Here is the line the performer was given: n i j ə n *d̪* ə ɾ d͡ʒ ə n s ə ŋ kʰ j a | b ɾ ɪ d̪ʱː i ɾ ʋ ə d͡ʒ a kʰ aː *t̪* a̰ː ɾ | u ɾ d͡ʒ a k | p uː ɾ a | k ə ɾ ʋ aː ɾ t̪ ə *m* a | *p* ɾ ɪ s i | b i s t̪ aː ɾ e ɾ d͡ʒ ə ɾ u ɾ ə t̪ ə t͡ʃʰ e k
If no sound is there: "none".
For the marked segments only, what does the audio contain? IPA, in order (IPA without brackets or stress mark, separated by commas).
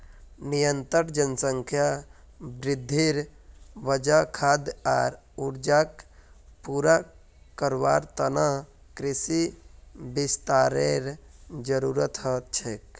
t̪, d̪, n, k